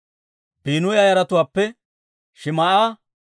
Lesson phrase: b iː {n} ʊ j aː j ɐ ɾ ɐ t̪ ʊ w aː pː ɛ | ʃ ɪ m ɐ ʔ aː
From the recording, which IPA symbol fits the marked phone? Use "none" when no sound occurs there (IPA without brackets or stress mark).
n